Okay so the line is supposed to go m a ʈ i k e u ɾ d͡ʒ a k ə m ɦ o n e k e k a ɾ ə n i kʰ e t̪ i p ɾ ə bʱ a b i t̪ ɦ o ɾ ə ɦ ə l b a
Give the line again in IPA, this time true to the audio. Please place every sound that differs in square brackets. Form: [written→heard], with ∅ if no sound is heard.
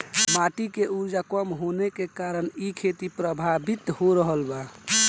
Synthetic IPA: m a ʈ i k e u ɾ d͡ʒ a k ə m ɦ o n e k e k a ɾ ə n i kʰ e t̪ i p ɾ ə bʱ a b i t̪ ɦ o ɾ ə ɦ ə l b a